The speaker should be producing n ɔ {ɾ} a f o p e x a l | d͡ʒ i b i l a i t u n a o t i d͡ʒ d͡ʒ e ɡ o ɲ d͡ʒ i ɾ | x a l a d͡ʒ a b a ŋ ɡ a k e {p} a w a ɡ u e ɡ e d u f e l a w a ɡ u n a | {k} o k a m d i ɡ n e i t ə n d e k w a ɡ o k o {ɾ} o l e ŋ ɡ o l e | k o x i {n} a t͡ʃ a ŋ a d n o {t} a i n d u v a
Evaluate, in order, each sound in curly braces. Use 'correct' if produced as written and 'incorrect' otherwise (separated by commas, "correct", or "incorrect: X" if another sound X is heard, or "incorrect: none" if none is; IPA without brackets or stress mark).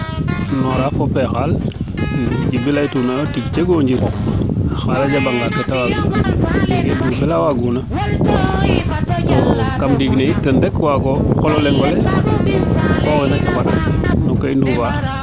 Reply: correct, incorrect: t, incorrect: t, incorrect: l, correct, incorrect: k